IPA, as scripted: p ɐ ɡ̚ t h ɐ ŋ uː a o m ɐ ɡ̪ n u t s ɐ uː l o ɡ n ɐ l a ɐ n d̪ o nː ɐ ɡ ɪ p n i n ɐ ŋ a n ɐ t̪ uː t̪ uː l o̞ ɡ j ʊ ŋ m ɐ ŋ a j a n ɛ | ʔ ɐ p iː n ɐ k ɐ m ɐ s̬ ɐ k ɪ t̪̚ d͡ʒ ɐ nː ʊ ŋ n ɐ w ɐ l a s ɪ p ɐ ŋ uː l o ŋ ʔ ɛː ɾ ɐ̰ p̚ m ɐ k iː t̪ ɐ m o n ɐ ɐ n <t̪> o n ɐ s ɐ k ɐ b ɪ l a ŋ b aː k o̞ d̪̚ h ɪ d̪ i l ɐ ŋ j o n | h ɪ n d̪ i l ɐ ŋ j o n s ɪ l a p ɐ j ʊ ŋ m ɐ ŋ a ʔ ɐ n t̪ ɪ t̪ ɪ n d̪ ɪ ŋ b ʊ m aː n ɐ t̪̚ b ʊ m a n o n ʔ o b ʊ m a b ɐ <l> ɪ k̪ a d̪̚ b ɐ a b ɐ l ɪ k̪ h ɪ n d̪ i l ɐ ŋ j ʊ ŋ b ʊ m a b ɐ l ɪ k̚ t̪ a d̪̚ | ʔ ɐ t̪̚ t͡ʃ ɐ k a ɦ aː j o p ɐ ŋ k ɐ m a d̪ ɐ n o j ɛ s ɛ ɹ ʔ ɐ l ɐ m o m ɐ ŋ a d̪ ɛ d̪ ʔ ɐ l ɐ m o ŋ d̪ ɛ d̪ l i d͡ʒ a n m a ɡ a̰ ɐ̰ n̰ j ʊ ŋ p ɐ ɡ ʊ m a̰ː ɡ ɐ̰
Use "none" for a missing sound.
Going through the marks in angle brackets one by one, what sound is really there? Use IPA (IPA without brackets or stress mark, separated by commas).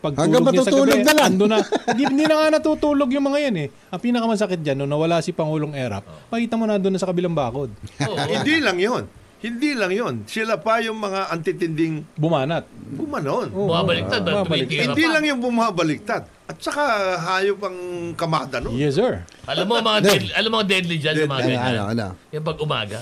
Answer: d̪, l